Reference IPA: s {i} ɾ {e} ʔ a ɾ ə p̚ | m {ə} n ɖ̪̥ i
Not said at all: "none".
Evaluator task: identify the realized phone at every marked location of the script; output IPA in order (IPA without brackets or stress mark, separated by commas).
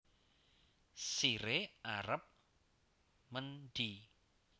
i, e, ə